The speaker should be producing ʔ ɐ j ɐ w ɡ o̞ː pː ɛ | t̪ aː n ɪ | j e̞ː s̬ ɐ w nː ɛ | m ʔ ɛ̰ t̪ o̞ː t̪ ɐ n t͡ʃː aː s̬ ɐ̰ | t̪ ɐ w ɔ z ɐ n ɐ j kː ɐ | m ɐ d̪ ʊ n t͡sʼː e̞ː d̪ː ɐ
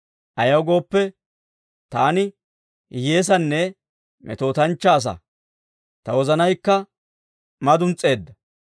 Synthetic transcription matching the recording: ʔ ɐ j ɐ w ɡ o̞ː pː ɛ | t̪ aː n ɪ | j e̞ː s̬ ɐ nː ɛ | m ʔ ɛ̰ t̪ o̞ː t̪ ɐ n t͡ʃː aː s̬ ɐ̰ | t̪ ɐ w ɔ z ɐ n ɐ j kː ɐ | m ɐ d̪ ʊ n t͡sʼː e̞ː d̪ː ɐ